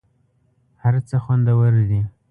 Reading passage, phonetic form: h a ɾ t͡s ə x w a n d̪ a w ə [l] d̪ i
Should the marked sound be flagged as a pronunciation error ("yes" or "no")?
yes